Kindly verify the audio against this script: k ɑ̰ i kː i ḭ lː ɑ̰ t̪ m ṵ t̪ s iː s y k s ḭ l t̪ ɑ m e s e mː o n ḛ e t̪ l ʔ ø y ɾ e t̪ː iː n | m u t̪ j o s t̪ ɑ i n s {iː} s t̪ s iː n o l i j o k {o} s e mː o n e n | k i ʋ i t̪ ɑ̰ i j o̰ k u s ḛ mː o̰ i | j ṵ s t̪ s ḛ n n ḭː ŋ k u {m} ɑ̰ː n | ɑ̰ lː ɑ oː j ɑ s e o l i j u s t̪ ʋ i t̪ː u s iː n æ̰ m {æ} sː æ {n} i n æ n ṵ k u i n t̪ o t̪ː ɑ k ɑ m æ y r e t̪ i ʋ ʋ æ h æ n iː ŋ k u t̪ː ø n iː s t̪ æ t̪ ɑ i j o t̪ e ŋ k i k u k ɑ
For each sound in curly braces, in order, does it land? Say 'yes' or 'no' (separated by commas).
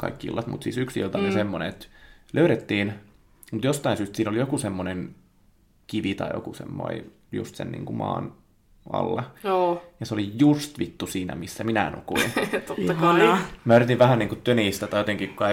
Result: no, no, yes, no, no